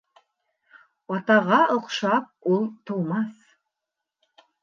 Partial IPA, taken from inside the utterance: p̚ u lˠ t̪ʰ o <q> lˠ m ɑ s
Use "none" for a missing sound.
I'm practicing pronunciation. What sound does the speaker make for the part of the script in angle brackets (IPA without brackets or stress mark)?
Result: none